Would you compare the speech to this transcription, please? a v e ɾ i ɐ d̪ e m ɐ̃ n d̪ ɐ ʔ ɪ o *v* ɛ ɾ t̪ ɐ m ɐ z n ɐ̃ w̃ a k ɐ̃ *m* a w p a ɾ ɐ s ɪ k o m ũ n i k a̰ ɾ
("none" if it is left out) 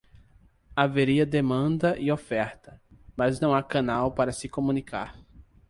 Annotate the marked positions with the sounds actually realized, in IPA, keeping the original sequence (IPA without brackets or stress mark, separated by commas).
f, n